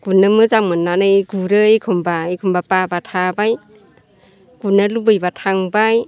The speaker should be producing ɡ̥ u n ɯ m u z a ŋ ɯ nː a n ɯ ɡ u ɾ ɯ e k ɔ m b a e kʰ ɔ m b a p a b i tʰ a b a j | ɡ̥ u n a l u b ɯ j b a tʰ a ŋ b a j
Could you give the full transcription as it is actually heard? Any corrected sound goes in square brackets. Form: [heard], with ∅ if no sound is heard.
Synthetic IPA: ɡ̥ u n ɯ m [ɯ] z a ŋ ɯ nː a n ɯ ɡ u ɾ ɯ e [kʰ] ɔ m b a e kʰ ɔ m b a p a b [a] tʰ a b a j | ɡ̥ u n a l u b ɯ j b a tʰ a ŋ b a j